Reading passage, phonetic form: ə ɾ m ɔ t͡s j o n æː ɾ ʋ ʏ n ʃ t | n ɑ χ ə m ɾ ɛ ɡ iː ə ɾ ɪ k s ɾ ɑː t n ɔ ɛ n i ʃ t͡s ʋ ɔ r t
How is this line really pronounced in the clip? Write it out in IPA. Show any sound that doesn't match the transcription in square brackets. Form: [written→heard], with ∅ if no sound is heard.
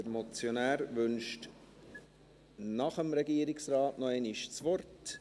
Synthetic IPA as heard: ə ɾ m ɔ t͡s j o n æː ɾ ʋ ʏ n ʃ t | n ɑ χ ə m ɾ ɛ ɡ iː ə ɾ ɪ k s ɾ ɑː t n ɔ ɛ n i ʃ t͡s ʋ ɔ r t

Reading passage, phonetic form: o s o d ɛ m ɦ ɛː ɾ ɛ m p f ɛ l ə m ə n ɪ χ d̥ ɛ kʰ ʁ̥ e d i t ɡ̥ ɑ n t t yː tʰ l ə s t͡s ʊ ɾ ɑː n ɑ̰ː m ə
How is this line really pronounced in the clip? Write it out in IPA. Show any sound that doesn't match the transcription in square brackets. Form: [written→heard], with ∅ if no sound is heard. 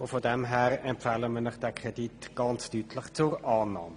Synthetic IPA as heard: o [s→f] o d ɛ m ɦ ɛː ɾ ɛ m p f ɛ l ə m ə n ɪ χ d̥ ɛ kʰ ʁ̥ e d i t ɡ̥ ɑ n [t→t͡s] t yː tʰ l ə [s→χ] t͡s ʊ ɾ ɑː n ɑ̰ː m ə

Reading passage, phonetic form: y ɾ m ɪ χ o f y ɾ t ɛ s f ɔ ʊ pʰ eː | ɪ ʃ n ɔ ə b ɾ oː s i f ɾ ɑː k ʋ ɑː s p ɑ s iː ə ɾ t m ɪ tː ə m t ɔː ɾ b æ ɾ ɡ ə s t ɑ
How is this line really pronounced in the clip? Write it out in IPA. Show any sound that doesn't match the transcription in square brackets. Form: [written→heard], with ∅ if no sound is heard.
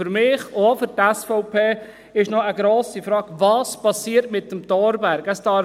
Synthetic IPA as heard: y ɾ m ɪ χ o f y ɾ t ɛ s f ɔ ʊ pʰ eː | ɪ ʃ n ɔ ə [b→ɡ] ɾ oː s i f ɾ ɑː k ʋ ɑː s p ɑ s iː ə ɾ t m ɪ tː ə m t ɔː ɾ b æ ɾ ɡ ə s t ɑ

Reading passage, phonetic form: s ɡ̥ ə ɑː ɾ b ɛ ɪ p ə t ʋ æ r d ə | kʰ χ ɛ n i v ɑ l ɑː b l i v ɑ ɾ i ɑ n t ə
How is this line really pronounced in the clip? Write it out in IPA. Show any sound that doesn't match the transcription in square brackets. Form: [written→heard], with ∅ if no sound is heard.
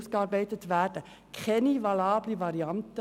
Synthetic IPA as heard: s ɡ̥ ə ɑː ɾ b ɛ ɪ [p→t] ə t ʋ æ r d ə | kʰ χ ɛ n i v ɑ l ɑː b l i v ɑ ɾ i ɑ n t ə

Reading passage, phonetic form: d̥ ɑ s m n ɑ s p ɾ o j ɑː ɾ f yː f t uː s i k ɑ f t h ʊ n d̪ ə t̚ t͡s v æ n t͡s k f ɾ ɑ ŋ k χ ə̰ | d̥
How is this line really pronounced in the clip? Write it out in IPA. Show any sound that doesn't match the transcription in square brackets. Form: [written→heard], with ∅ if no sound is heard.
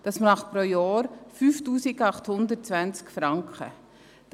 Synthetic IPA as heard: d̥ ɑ s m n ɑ [s→χ] p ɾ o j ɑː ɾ f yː f t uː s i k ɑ [f→χ] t h ʊ n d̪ ə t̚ t͡s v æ n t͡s k f ɾ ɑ ŋ k χ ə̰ | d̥

